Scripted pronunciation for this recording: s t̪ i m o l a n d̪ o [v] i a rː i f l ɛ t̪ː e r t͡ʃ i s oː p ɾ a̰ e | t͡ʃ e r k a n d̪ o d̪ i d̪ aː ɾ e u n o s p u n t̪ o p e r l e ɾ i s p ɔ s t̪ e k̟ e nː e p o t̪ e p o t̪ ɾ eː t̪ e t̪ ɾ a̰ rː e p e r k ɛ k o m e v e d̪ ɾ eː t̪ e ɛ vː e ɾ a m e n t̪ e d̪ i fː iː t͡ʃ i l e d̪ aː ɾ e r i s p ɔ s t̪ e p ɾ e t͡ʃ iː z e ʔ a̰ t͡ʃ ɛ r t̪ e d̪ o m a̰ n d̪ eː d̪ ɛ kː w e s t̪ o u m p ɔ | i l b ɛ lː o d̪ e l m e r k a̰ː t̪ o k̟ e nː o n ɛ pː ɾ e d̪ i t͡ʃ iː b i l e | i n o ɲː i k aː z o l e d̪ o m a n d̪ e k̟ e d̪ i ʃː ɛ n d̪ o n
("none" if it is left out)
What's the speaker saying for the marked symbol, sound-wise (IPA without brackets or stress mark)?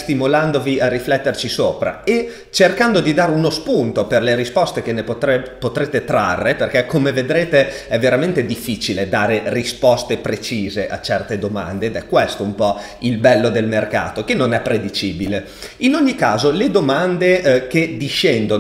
v